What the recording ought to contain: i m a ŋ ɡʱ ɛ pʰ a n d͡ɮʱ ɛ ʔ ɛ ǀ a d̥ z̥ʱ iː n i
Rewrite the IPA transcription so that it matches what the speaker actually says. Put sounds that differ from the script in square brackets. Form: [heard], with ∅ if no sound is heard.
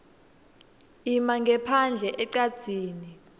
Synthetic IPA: i m a ŋ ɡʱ ɛ pʰ a n d͡ɮʱ ɛ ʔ ɛ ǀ a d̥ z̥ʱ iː n i